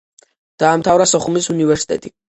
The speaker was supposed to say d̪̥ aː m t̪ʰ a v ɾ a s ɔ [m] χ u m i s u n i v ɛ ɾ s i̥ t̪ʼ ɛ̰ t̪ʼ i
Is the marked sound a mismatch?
yes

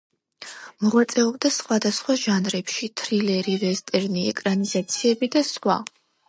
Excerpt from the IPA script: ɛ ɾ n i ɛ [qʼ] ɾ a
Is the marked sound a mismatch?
yes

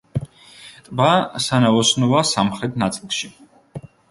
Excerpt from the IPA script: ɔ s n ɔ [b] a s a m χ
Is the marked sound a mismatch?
yes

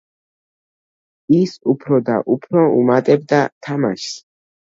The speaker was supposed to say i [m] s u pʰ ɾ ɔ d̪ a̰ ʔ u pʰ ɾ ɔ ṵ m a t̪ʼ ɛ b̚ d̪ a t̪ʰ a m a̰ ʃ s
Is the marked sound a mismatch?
yes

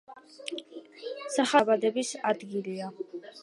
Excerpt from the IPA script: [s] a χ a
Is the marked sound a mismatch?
no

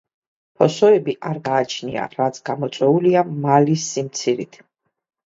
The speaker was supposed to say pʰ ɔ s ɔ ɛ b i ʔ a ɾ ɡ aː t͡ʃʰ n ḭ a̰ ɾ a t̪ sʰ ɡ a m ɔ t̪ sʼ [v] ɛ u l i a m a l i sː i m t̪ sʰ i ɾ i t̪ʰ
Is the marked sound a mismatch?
yes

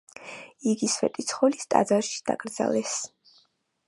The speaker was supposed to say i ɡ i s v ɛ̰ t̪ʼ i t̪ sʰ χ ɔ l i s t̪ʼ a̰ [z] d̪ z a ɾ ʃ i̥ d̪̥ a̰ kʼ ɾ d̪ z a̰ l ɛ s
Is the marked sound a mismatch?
yes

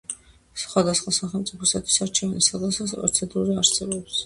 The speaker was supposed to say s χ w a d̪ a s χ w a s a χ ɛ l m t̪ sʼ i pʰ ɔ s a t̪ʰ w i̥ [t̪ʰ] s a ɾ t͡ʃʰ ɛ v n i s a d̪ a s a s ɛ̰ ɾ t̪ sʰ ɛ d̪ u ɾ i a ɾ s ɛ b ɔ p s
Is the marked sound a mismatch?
yes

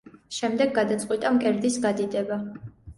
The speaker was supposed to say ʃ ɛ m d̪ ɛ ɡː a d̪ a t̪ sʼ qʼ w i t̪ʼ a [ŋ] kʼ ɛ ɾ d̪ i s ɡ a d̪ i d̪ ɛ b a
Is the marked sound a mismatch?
yes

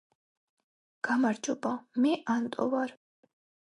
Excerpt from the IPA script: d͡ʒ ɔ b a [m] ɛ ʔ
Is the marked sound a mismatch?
no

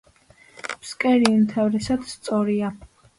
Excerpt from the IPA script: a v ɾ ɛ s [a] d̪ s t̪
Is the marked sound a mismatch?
no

